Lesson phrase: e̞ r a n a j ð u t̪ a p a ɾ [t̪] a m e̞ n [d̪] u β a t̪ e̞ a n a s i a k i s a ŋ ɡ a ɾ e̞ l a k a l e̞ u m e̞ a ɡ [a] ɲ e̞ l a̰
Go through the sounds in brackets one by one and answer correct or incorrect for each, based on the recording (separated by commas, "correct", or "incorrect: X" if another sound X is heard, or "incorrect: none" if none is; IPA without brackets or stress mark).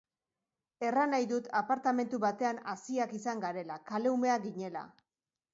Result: correct, incorrect: t̪, incorrect: i